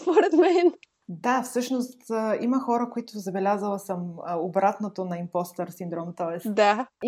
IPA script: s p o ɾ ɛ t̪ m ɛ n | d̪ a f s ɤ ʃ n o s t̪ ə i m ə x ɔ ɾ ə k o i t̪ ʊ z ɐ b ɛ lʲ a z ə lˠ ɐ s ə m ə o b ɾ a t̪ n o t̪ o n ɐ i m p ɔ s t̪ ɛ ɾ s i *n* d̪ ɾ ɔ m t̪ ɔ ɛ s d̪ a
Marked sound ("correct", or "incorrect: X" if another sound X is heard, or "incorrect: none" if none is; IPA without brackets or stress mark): correct